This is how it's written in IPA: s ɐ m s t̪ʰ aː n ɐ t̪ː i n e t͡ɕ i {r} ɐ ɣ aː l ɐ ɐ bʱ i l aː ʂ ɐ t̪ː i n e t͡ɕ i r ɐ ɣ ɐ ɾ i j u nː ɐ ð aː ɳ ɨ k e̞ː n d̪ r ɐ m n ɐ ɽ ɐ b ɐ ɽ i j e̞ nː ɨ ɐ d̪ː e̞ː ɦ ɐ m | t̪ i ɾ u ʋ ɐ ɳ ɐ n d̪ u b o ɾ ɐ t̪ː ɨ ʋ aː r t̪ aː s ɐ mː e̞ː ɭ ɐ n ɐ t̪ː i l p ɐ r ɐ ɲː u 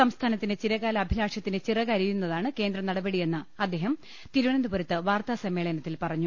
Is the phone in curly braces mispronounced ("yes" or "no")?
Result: yes